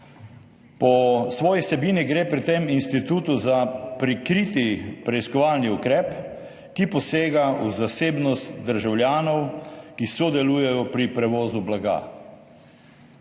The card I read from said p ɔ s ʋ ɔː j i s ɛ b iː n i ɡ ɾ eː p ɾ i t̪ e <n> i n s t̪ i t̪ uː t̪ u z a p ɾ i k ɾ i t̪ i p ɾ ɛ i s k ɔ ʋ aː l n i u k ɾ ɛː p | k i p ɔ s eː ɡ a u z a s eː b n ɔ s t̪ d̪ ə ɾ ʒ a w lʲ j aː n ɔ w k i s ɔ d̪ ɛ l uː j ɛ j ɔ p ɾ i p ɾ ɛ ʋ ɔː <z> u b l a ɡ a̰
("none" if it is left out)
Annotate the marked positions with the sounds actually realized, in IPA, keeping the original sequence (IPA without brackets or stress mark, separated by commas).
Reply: m, z